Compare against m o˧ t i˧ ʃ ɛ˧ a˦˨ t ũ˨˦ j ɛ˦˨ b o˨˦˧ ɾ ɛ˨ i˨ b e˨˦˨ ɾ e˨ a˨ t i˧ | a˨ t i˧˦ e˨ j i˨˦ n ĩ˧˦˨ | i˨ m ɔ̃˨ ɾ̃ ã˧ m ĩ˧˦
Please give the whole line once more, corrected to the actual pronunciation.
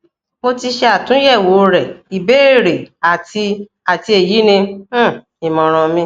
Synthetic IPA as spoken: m o˧ t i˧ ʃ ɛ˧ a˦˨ t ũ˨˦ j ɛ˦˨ w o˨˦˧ ɾ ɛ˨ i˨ b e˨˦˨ ɾ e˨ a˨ t i˧ | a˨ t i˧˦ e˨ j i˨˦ n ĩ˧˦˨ | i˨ m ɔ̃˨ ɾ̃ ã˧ m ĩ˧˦

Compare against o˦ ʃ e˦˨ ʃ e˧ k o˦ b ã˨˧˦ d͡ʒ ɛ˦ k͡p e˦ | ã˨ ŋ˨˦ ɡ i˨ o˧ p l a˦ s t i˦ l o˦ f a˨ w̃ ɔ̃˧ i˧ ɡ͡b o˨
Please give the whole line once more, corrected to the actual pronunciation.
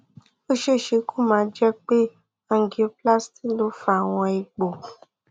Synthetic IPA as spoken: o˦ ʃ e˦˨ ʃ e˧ k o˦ m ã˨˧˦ d͡ʒ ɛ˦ k͡p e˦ | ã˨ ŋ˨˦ ɡ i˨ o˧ p l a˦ s t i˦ l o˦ f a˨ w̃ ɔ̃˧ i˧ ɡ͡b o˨

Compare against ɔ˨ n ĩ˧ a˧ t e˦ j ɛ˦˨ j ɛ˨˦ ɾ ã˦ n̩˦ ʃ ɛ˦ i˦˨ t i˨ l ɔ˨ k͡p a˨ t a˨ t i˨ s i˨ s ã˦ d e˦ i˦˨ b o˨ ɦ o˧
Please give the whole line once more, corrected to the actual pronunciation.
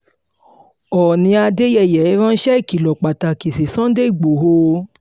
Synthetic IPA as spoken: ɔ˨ n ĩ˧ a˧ d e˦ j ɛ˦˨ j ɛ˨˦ ɾ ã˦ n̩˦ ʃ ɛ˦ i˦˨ k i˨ l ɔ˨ k͡p a˨ t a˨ k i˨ s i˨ s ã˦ d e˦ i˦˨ ɡ͡b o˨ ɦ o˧

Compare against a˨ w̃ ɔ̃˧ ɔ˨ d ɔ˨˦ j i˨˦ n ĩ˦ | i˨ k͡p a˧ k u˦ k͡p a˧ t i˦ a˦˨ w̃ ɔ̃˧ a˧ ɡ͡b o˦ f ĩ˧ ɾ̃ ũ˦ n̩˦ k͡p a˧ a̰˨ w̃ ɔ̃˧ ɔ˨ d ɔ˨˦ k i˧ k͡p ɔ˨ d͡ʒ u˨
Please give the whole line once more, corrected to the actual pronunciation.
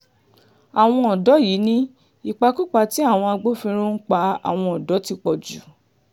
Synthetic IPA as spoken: a˨ w̃ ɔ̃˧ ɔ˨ d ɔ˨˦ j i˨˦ n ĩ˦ | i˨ k͡p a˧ k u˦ k͡p a˧ t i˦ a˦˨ w̃ ɔ̃˧ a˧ ɡ͡b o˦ f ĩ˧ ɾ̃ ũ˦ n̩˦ k͡p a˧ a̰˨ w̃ ɔ̃˧ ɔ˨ d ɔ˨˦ t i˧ k͡p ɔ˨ d͡ʒ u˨

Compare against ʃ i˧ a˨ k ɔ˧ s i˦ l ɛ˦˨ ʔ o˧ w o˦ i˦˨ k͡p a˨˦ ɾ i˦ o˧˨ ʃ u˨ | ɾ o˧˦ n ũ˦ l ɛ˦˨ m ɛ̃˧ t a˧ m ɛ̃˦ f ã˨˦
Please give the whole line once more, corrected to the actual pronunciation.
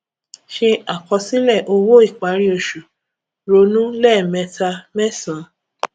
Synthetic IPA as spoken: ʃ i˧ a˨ k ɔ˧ s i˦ l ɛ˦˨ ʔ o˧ w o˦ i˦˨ k͡p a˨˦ ɾ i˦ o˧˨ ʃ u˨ | ɾ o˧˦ n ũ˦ l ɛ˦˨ m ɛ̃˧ t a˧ m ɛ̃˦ s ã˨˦

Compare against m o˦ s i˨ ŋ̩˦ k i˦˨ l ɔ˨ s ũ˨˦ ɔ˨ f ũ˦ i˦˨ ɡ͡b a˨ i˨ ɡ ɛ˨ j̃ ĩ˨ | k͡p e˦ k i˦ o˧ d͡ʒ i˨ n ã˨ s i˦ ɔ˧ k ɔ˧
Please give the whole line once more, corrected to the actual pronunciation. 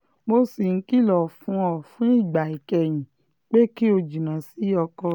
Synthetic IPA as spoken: m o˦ s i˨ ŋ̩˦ k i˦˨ l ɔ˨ f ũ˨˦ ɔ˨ f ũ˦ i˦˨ ɡ͡b a˨ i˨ k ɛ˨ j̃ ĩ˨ | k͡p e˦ k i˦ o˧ d͡ʒ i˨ n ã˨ s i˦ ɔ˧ k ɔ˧

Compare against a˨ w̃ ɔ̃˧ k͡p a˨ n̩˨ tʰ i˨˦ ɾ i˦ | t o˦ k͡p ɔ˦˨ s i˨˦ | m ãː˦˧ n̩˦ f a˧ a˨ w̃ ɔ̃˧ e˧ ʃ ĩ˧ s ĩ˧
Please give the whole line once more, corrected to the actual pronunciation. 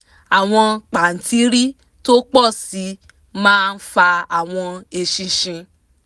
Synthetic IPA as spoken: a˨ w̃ ɔ̃˧ k͡p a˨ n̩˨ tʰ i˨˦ ɾ i˦ | t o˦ k͡p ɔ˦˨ s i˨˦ | m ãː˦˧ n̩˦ f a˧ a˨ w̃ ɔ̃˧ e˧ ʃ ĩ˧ ʃ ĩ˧

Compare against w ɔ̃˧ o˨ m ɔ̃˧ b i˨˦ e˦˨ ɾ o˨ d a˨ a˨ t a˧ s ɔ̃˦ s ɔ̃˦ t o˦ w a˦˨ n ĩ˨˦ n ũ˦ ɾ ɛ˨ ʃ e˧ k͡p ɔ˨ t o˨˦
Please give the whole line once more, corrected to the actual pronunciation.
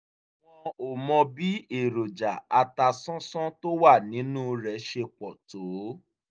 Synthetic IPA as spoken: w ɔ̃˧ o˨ m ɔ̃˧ b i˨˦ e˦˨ ɾ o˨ d͡ʒ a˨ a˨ t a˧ s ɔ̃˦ s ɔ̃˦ t o˦ w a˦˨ n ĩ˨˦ n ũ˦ ɾ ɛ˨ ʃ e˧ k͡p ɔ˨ t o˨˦

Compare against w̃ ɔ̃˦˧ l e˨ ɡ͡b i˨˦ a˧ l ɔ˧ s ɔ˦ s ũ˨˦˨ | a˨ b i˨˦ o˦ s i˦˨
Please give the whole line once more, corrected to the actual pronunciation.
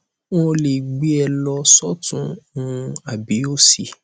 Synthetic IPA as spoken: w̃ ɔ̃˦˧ l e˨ ɡ͡b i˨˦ ɛ˧ l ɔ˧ s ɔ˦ t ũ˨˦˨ | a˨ b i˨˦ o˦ s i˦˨

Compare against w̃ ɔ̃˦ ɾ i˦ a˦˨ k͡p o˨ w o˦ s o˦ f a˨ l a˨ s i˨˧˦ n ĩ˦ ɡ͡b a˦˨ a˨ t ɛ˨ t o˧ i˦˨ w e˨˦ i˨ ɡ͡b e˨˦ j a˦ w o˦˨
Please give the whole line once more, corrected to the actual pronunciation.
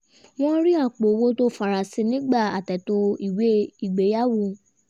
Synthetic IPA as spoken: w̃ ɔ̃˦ ɾ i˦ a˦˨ k͡p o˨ w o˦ t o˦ f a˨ ɾ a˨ s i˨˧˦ n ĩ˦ ɡ͡b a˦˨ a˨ t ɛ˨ t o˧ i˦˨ w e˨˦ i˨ ɡ͡b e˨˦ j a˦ w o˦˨

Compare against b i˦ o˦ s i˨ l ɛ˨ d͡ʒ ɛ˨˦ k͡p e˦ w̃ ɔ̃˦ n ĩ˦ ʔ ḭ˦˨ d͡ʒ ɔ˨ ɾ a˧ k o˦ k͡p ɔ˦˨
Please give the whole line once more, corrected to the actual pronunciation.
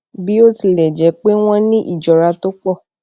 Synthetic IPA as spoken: b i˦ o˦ t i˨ l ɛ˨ d͡ʒ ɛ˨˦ k͡p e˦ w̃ ɔ̃˦ n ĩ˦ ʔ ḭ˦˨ d͡ʒ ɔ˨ ɾ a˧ t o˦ k͡p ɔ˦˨

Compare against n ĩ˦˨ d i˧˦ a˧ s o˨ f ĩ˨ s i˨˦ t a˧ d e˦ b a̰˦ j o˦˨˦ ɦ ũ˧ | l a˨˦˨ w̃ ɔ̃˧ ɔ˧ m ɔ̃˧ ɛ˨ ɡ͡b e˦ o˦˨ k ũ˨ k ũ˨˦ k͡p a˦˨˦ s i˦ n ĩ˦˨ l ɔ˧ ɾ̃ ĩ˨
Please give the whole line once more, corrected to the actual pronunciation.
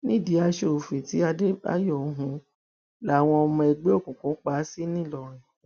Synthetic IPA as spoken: n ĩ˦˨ d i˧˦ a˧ ʃ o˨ f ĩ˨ t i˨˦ a˧ d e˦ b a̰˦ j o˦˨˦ ɦ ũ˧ | l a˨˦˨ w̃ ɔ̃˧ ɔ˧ m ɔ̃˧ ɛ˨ ɡ͡b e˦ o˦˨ k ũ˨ k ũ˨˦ k͡p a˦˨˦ s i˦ n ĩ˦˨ l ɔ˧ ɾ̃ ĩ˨

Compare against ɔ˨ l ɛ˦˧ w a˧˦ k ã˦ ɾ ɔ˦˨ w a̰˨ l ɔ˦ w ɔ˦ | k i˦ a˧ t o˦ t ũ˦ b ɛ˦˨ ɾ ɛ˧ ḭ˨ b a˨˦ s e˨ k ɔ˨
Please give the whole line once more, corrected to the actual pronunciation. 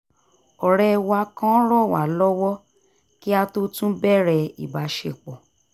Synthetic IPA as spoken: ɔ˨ ɾ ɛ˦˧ w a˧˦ k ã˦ ɾ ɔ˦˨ w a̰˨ l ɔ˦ w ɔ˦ | k i˦ a˧ t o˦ t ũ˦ b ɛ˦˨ ɾ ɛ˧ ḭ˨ b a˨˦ ʃ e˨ k͡p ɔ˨

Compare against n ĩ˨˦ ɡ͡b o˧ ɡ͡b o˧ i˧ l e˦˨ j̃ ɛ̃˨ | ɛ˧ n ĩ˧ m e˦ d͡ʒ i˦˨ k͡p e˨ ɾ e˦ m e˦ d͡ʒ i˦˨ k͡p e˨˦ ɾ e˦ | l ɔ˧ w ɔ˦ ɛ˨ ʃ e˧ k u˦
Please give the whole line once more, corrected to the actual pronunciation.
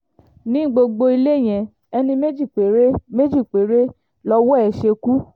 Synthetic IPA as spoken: n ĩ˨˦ ɡ͡b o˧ ɡ͡b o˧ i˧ l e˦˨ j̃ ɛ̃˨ | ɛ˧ n ĩ˧ m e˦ d͡ʒ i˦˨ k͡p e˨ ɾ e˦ m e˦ d͡ʒ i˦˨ k͡p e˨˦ ɾ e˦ | l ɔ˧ w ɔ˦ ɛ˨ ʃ e˧ k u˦

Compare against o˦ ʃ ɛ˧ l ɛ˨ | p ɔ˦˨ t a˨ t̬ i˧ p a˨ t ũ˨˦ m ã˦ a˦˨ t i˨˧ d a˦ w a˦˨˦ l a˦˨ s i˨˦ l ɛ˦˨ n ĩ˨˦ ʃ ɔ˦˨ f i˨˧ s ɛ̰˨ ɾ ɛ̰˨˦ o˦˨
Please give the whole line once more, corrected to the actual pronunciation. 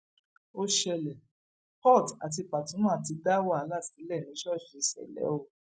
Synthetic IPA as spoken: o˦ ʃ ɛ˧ l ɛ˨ | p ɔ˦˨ t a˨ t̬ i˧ p a˨ t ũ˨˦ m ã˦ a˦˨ t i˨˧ d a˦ w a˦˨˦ l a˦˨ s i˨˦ l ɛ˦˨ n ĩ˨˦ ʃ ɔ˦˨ ʃ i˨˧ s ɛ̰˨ l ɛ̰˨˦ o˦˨

